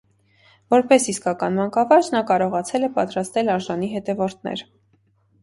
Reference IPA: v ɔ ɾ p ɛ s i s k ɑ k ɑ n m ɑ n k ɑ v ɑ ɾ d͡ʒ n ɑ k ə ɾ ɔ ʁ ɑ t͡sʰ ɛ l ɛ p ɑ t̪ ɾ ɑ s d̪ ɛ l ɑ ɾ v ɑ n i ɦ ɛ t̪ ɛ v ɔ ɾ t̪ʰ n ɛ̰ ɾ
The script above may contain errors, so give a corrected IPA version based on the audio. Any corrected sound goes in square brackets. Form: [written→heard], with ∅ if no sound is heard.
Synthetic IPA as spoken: v ɔ ɾ p ɛ s i s k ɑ k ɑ n m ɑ [n→ŋ] k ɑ v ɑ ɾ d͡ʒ n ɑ k [ə→ɑ] ɾ ɔ ʁ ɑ t͡sʰ ɛ l ɛ p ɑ t̪ ɾ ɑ s [d̪→t̪] ɛ l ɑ ɾ [v→ʒ] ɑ n i ɦ ɛ t̪ ɛ v ɔ ɾ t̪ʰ n ɛ̰ ɾ